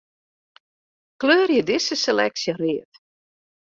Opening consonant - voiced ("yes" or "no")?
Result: no